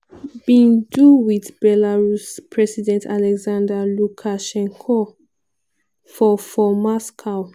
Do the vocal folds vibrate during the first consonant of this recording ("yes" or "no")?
yes